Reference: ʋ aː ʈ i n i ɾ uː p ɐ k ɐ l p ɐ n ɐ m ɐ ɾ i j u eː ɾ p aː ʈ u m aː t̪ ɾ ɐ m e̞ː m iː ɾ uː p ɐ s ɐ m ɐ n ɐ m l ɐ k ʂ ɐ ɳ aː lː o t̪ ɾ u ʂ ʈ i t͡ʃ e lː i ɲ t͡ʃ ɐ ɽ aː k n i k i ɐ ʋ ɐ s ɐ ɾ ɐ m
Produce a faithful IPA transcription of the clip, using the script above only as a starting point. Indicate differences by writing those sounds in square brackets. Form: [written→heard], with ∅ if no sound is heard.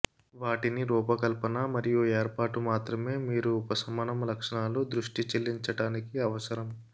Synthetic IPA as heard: ʋ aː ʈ i n i ɾ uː p ɐ k ɐ l p ɐ n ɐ m ɐ ɾ i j u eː ɾ p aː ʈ u m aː t̪ ɾ ɐ m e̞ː m iː ɾ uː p ɐ s ɐ m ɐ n ɐ m l ɐ k ʂ ɐ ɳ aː [lː→l] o [t̪→d̪] ɾ u ʂ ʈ i t͡ʃ e lː i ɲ t͡ʃ ɐ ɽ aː [k→∅] n i k i ɐ ʋ ɐ s ɐ ɾ ɐ m